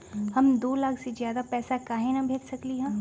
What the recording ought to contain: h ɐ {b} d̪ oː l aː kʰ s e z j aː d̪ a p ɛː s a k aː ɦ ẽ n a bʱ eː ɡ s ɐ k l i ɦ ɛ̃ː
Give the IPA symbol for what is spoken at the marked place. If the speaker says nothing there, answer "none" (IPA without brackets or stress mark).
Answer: m